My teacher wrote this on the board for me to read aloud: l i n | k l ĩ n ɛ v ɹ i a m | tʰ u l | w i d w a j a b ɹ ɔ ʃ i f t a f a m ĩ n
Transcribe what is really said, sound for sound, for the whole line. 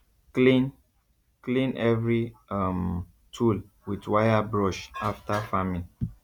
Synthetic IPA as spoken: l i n | k l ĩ n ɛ v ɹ i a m | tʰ u l | w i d w a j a b ɹ ɔ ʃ a f t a f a m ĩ n